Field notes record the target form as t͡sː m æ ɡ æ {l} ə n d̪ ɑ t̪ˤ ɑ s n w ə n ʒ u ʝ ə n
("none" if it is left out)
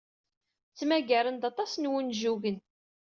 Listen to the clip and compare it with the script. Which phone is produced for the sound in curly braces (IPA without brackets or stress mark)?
ɾ